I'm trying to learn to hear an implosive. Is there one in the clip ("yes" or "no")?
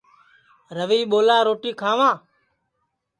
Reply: yes